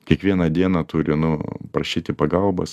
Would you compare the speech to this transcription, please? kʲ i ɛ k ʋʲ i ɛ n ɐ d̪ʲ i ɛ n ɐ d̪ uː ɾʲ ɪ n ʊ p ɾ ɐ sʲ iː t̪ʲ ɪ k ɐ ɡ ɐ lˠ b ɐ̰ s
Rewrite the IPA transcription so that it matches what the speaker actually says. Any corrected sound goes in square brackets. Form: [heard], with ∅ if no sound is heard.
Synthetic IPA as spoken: kʲ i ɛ k ʋʲ i ɛ n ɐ d̪ʲ i ɛ n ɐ [t̪] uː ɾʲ ɪ n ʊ p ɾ ɐ [ʃʲ] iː t̪ʲ ɪ [p] ɐ ɡ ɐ lˠ b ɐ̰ s